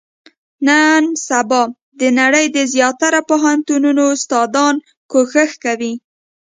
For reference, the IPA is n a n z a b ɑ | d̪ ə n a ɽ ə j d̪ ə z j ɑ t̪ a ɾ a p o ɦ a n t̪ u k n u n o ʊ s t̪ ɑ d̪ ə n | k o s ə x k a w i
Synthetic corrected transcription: n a n s a b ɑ | d̪ ə n a ɽ ə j d̪ ə z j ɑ t̪ a ɾ a p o ɦ a n t̪ u n u n o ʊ s t̪ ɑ d̪ ɑ n | k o x ə x k a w i